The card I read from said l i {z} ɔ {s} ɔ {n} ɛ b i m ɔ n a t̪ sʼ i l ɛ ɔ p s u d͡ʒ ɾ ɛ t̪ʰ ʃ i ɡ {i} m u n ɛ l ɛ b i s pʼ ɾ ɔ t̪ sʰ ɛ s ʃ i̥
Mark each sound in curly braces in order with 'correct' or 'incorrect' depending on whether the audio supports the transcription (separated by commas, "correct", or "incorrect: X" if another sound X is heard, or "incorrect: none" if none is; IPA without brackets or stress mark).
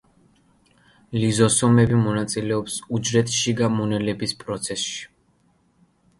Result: correct, correct, incorrect: m, incorrect: a